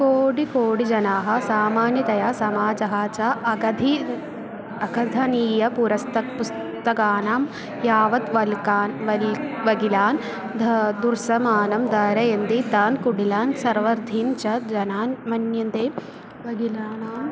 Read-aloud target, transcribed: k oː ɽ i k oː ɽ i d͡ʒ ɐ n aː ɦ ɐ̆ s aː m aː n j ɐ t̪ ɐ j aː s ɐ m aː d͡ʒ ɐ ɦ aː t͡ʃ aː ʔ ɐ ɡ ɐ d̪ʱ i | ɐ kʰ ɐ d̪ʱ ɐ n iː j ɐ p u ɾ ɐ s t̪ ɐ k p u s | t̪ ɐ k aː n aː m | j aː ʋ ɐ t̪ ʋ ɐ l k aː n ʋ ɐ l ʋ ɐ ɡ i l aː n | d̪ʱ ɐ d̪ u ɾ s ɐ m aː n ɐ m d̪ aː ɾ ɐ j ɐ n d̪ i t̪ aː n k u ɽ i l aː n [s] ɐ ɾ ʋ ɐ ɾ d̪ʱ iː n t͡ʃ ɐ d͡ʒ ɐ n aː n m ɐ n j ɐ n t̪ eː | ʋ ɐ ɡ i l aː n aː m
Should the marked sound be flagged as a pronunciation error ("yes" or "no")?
no